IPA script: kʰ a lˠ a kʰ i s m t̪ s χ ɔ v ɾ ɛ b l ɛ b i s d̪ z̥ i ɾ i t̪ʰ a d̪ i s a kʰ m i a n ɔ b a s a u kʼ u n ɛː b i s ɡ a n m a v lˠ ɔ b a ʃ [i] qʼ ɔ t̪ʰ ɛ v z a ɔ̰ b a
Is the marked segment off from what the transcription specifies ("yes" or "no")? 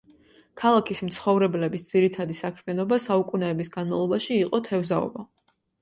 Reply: yes